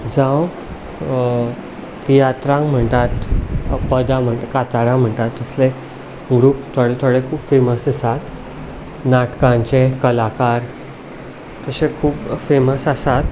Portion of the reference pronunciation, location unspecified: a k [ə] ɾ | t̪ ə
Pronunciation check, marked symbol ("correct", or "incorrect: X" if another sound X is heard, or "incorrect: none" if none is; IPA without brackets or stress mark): incorrect: a